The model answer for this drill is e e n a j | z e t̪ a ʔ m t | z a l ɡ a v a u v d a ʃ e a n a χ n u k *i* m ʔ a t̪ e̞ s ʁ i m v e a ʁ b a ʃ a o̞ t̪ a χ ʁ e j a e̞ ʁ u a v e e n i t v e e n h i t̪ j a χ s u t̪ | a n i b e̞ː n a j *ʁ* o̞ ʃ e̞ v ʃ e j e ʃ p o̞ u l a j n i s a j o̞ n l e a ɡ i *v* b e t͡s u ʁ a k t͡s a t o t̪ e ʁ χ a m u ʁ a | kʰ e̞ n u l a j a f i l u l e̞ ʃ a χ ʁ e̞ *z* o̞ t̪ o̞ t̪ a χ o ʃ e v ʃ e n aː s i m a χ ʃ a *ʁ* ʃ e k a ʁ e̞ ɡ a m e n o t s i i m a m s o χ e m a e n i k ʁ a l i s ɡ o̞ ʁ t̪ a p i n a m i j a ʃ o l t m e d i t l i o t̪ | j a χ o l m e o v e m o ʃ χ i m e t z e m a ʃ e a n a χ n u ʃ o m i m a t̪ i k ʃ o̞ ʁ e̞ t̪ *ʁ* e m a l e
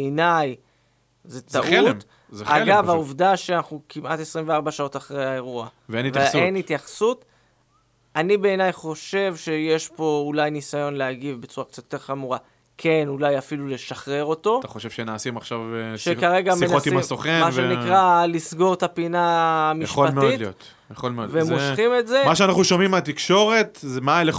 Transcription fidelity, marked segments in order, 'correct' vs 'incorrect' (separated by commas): correct, incorrect, correct, incorrect, incorrect, incorrect